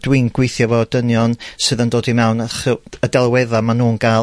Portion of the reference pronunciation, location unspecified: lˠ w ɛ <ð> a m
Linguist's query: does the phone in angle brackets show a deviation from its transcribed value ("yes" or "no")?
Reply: no